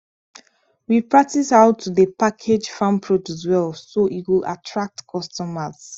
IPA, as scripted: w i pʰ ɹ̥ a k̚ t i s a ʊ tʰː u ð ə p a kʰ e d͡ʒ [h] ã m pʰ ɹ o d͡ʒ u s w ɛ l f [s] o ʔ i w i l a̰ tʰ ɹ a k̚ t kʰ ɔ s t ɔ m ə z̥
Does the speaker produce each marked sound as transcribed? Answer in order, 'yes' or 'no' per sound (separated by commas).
no, yes